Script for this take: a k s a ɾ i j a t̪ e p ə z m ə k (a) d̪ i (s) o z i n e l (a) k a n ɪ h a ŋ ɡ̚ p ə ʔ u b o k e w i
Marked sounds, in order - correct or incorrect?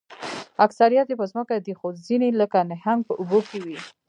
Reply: correct, incorrect: x, incorrect: ə

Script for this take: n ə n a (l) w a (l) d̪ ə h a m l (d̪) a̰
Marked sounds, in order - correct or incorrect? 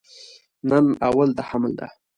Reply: incorrect: none, correct, correct

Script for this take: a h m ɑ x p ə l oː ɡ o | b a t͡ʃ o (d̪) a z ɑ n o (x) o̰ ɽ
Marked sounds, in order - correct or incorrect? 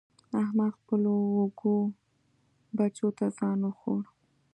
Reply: incorrect: t̪, correct

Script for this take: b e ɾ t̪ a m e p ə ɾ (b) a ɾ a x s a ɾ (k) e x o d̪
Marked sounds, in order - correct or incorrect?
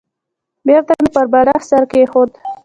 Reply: correct, correct

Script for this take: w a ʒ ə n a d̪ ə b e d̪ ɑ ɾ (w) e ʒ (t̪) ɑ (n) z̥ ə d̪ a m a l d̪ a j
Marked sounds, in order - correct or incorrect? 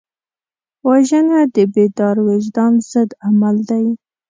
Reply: correct, incorrect: d̪, correct

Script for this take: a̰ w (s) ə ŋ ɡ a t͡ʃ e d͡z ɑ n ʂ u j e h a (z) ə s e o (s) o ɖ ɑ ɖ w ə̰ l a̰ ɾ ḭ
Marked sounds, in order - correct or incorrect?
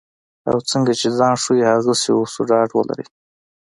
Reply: incorrect: t͡s, incorrect: ɣ, correct

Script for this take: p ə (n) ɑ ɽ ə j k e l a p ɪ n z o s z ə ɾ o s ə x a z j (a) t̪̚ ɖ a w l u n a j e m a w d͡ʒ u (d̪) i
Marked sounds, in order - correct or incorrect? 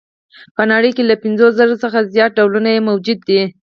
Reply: correct, incorrect: ɑ, incorrect: d̪ː

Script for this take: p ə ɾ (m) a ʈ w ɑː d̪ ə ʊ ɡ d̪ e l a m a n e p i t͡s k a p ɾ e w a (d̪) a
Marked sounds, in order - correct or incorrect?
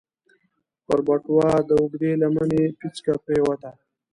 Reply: incorrect: b, incorrect: t̪

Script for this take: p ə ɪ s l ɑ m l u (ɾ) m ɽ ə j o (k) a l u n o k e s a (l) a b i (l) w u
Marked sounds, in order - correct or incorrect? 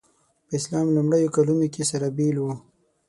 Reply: incorrect: none, correct, incorrect: ɾ, correct

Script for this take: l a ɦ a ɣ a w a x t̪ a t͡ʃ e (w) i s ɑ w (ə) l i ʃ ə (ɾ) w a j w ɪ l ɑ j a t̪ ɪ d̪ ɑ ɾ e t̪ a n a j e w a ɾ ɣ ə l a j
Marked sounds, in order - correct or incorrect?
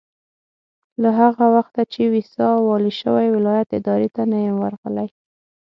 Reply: correct, incorrect: ɑ, incorrect: none

